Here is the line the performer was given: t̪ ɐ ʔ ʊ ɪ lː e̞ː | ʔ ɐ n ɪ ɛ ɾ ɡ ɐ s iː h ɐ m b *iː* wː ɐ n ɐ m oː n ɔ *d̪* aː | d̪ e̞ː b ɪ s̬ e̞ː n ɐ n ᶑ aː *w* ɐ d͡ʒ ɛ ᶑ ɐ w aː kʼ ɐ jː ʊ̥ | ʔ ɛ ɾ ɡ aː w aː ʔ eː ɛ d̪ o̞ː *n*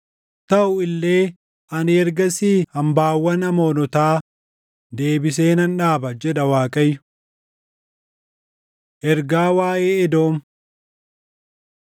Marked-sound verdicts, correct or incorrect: incorrect: aː, incorrect: t̪, incorrect: b, incorrect: m

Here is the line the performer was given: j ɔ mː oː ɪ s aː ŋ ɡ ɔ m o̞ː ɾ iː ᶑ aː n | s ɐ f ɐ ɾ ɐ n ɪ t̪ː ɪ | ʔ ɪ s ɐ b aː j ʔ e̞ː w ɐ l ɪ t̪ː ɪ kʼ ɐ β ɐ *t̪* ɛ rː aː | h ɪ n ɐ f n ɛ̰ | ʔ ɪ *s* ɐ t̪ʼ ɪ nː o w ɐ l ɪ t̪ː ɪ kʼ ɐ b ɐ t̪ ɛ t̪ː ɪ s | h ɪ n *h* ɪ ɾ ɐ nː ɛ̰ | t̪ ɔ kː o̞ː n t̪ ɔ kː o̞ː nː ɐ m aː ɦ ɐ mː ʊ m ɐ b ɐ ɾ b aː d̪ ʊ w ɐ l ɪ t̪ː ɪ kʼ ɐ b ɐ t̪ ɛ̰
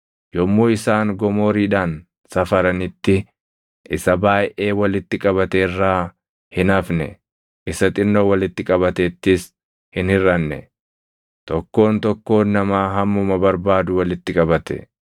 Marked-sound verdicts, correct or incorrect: correct, correct, correct

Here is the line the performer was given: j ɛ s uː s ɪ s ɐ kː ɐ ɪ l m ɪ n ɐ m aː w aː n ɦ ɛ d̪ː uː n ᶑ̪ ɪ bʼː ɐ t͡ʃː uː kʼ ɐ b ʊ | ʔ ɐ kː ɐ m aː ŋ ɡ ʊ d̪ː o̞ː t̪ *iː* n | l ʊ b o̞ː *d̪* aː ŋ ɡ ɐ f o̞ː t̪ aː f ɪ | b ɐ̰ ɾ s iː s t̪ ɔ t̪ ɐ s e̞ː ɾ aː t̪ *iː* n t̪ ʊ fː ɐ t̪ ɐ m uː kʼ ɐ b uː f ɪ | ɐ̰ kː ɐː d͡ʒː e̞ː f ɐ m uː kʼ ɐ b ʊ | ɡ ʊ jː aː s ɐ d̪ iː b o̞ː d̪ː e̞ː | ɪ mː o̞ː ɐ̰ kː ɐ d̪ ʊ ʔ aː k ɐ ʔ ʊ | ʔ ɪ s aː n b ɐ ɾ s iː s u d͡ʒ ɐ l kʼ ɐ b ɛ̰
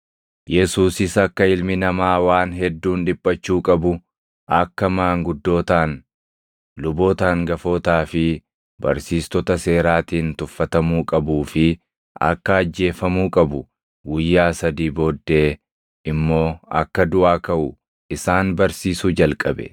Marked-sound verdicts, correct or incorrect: incorrect: aː, incorrect: t̪, correct

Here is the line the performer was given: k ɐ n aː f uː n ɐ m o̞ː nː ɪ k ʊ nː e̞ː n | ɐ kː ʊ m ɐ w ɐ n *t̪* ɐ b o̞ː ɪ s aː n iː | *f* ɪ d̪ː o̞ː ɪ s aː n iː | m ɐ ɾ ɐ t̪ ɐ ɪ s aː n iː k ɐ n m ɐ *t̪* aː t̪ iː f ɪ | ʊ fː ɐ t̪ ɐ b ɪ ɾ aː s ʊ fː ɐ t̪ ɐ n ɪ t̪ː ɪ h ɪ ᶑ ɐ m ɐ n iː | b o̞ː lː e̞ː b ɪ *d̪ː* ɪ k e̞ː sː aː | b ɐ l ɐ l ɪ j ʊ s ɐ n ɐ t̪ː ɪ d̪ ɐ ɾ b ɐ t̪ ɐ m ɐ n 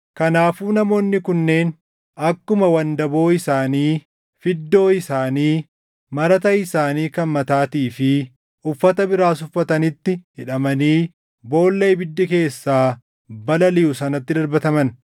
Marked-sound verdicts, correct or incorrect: incorrect: d̪, correct, correct, correct

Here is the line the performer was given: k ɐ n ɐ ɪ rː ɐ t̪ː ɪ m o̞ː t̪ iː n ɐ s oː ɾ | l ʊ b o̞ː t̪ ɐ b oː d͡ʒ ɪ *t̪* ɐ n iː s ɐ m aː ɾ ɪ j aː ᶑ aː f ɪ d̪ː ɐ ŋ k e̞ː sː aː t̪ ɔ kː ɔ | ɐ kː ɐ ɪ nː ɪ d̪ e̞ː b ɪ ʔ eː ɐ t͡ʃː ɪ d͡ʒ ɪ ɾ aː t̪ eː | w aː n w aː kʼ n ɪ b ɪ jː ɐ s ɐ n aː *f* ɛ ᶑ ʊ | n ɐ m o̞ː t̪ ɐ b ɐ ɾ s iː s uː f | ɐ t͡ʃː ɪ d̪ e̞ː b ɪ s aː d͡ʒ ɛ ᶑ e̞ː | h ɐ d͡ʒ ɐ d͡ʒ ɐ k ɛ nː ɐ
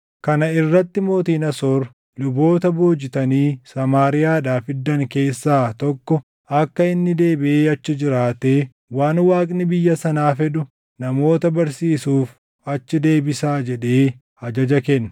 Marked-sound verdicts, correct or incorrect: correct, correct

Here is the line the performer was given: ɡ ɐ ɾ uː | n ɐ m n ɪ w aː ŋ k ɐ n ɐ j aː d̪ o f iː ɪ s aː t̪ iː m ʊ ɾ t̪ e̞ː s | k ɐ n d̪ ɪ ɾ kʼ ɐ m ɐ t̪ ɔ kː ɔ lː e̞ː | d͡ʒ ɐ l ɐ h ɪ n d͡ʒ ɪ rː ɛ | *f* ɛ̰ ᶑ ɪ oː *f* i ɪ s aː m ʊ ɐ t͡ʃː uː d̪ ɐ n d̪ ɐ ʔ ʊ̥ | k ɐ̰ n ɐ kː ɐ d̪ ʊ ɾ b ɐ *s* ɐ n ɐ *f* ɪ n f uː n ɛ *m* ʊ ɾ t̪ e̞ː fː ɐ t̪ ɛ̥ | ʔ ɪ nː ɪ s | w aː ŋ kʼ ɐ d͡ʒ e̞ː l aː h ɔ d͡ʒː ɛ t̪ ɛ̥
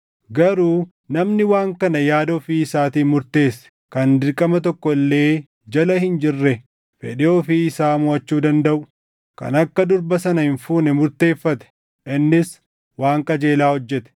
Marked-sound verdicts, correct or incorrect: correct, correct, correct, incorrect: h, correct

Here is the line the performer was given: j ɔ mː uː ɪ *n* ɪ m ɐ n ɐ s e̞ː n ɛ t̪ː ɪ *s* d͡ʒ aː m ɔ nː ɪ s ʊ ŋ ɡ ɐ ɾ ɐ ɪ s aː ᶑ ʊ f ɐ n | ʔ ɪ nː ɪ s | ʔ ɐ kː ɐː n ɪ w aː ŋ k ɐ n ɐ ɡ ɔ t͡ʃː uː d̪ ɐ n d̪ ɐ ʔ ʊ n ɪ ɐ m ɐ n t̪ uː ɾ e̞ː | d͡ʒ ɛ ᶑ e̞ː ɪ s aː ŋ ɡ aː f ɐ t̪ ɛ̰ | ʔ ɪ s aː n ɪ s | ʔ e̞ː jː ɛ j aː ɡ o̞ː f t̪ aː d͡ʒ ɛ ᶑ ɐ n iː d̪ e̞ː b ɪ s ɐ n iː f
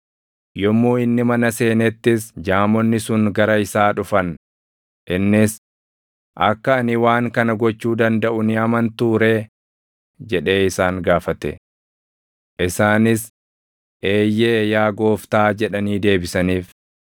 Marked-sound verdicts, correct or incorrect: incorrect: nː, correct

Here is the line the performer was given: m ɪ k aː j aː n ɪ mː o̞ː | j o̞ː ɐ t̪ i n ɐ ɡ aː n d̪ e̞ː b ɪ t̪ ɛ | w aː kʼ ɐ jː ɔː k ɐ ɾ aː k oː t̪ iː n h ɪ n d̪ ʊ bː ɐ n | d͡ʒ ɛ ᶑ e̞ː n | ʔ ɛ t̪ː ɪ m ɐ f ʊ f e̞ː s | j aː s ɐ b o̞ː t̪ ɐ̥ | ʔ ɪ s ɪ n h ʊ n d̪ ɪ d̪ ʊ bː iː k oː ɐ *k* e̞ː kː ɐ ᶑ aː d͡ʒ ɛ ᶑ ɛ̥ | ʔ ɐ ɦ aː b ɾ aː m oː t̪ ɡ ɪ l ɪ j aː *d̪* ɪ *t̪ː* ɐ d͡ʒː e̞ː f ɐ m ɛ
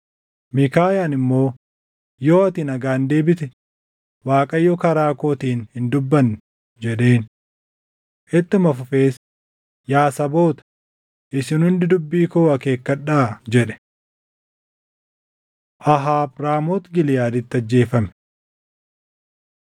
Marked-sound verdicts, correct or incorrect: correct, correct, correct

